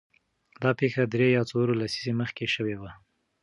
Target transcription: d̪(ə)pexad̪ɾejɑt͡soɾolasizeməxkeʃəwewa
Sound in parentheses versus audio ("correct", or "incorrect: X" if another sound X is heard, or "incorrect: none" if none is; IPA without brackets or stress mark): incorrect: ɑ